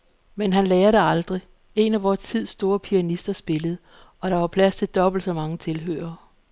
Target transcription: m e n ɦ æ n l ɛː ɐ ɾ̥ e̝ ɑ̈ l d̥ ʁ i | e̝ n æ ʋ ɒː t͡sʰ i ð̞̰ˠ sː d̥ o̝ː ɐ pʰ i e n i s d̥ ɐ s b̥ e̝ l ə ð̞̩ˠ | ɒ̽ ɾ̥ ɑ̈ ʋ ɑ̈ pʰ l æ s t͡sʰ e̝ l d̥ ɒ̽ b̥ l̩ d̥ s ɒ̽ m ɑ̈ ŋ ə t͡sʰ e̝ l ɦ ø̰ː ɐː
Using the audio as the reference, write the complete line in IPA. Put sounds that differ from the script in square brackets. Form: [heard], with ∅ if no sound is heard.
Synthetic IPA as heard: m e n ɦ æ n l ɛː ɐ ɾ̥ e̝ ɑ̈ l d̥ ʁ i | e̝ n æ ʋ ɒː t͡sʰ i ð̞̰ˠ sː d̥ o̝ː ɐ pʰ i [æ] n i s d̥ ɐ s b̥ e̝ l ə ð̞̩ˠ | ɒ̽ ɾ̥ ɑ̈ ʋ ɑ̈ pʰ l æ s t͡sʰ e̝ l d̥ ɒ̽ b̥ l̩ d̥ s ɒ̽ m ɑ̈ ŋ ə t͡sʰ e̝ l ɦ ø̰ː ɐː